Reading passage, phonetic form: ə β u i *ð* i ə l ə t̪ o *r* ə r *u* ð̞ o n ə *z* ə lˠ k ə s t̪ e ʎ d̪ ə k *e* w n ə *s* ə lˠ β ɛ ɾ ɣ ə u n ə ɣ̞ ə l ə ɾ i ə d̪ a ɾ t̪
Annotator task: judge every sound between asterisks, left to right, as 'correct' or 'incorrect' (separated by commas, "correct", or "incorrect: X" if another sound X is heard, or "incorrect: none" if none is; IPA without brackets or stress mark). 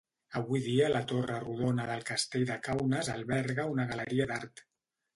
correct, correct, correct, incorrect: ð, incorrect: a, incorrect: z